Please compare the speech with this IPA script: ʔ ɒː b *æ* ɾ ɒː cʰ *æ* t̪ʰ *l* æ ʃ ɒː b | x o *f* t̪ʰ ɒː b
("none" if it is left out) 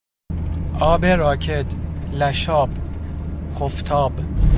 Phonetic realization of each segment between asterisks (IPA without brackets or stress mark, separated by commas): e, e, l, f